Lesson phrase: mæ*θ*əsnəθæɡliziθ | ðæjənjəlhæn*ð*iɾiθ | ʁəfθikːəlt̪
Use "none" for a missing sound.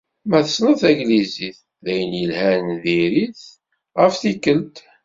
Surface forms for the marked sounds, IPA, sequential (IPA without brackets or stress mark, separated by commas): θ, ð